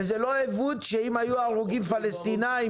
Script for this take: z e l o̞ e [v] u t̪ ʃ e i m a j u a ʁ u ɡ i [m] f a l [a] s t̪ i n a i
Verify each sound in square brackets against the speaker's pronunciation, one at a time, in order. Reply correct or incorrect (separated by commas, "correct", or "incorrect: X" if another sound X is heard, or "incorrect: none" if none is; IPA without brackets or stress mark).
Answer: correct, correct, incorrect: e